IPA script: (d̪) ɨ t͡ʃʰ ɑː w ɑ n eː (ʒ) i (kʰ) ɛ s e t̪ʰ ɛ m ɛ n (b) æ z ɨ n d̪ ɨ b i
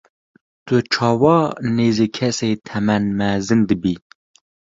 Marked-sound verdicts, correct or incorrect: incorrect: t̪, incorrect: z, correct, incorrect: m

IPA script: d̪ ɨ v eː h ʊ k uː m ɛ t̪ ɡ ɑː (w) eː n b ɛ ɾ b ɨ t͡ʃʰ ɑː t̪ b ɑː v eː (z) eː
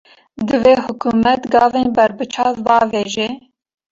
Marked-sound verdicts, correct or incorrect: incorrect: v, incorrect: ʒ

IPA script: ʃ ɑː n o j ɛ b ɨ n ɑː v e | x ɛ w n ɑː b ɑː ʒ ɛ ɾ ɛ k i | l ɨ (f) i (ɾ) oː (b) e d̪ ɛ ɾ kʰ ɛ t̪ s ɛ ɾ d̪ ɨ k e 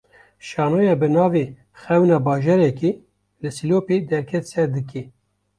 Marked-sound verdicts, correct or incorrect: incorrect: s, incorrect: l, incorrect: p

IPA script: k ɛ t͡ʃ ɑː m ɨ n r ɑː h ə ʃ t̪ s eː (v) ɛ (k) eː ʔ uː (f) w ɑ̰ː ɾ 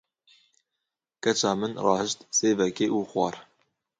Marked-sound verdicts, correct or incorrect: correct, correct, incorrect: x

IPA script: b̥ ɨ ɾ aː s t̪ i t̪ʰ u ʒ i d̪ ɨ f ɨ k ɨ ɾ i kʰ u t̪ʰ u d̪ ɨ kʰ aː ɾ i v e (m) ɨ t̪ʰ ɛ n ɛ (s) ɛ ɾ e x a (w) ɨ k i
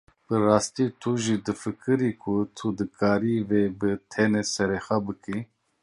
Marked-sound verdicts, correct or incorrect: incorrect: b, correct, incorrect: b

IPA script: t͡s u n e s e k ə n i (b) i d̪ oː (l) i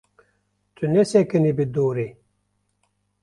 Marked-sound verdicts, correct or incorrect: correct, incorrect: ɾ

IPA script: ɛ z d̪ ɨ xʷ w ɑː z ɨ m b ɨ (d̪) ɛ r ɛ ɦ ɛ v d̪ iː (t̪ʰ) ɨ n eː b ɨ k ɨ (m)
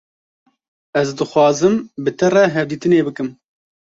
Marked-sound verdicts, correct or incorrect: incorrect: t̪, incorrect: t̪, correct

